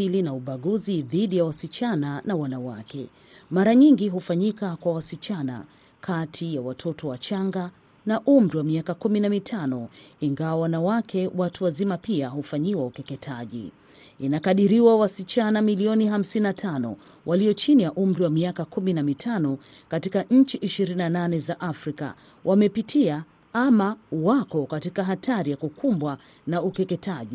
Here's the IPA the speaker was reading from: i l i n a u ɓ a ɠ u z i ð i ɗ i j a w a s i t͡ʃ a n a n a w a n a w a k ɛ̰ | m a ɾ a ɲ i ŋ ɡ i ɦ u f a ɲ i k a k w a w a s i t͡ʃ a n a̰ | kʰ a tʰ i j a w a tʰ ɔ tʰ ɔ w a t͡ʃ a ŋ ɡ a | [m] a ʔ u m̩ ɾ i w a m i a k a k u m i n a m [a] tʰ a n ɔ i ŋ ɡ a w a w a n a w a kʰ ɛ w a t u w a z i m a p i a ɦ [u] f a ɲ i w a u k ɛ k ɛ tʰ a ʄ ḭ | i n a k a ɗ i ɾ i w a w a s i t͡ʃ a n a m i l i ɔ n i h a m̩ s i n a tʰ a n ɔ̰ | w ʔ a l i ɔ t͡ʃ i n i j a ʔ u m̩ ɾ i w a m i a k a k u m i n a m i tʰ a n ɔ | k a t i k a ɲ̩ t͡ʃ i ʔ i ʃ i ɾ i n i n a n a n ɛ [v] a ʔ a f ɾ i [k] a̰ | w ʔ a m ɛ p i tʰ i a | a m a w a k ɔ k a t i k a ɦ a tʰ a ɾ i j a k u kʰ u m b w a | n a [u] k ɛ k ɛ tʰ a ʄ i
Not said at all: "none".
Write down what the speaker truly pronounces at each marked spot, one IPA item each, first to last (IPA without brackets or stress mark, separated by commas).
n, i, u, z, k, u